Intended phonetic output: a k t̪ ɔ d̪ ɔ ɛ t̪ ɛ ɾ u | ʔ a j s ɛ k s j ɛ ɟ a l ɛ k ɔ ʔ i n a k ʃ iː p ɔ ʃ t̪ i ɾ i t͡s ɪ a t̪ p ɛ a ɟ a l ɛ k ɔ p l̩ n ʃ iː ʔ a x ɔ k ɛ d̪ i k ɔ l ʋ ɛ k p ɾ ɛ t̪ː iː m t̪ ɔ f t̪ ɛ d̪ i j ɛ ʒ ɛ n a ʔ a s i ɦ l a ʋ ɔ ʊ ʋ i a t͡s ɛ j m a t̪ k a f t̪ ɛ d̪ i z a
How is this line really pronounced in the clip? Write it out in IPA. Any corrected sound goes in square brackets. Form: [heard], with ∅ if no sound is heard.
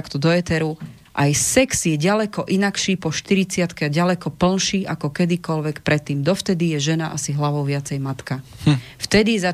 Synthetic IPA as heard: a k t̪ ɔ d̪ ɔ ɛ t̪ ɛ ɾ u | ʔ a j s ɛ k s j ɛ ɟ a l ɛ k ɔ ʔ i n a k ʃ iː p ɔ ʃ t̪ i ɾ i t͡s ɪ a t̪ [k] ɛ a ɟ a l ɛ k ɔ p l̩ n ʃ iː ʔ a [k] ɔ k ɛ d̪ i k ɔ l ʋ ɛ k p ɾ ɛ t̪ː iː m [d̪] ɔ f t̪ ɛ d̪ i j ɛ ʒ ɛ n a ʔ a s i ɦ l a ʋ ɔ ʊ ʋ [ɪ] a t͡s ɛ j m a t̪ k a f t̪ ɛ d̪ i z a